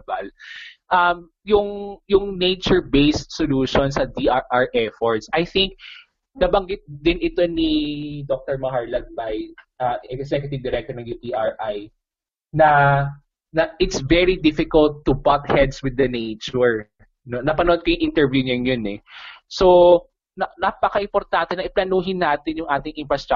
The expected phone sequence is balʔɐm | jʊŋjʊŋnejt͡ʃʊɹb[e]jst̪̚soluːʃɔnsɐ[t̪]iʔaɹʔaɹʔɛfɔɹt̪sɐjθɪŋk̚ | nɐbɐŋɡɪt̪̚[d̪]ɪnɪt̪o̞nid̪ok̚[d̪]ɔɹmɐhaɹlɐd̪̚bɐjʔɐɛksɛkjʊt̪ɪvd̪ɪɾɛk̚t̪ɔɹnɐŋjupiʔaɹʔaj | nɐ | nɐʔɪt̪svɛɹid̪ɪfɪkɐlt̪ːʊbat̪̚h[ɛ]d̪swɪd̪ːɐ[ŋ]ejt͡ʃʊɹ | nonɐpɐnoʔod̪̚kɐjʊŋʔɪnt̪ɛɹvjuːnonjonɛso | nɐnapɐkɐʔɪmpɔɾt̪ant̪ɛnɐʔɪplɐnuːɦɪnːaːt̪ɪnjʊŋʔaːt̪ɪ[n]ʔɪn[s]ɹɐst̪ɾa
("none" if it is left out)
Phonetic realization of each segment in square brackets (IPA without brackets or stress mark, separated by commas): e, d̪, d̪, t̪, ɛ, n, ŋ, f